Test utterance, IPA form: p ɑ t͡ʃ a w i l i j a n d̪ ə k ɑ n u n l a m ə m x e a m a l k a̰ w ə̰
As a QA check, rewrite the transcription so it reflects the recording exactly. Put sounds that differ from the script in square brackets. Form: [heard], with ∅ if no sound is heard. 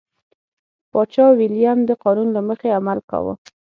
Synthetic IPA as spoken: p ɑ t͡ʃ [ɑ] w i l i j a [m] d̪ ə [q] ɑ n u n l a m ə [∅] x e a m a l k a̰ w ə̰